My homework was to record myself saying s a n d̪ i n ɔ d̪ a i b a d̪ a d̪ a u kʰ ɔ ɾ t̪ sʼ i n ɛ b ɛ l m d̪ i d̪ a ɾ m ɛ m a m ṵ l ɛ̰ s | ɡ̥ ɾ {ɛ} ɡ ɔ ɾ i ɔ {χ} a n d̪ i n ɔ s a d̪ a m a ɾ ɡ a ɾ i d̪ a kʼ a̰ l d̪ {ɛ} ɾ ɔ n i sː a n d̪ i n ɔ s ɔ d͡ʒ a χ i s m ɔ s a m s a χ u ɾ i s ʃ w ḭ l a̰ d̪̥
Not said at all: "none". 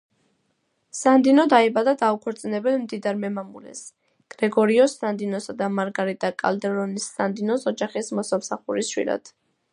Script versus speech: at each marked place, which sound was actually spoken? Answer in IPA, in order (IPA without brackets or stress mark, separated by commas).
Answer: ɛ, s, ɛ